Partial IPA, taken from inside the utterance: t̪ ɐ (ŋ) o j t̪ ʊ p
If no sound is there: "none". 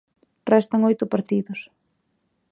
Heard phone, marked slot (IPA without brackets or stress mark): ŋ